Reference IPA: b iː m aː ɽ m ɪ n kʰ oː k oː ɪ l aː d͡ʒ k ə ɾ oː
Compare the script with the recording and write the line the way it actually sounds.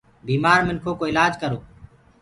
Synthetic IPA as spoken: b iː m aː ɾ m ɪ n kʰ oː k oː ɪ l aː d͡ʒ k ə ɾ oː